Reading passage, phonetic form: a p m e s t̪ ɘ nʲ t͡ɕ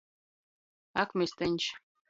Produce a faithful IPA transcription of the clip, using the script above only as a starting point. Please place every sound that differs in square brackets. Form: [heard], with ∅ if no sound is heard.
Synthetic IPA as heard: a [k] m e s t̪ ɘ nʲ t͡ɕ